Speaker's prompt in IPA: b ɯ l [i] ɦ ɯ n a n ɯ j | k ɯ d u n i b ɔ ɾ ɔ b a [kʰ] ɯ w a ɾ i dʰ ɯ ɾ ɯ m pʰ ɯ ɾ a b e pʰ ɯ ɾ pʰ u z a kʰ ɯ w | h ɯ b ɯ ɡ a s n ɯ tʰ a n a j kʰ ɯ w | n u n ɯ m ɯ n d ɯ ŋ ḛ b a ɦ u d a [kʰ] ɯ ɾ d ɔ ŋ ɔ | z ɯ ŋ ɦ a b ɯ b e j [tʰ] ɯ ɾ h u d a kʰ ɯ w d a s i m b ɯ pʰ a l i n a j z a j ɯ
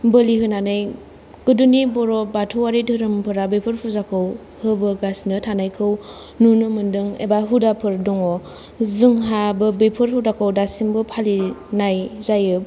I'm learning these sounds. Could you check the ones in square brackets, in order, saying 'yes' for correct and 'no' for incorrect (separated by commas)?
yes, no, no, no